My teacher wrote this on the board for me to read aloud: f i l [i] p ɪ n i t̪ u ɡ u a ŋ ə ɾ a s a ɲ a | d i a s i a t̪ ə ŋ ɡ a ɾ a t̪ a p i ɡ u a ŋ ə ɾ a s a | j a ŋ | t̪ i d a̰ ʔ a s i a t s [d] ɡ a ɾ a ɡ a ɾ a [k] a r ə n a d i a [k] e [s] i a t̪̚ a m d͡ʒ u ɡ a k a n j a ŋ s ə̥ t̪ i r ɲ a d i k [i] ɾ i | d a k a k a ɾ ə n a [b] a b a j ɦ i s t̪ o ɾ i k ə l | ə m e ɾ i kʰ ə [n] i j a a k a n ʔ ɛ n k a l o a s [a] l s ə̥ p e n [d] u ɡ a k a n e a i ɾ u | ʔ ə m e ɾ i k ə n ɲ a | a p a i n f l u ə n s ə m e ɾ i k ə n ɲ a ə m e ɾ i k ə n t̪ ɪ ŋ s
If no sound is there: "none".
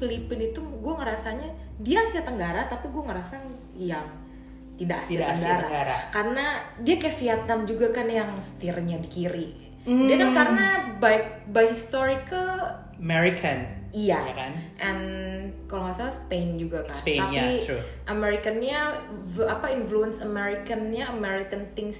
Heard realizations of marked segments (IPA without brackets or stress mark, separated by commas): i, ɡ, k, k, f, i, b, n, a, d͡ʒ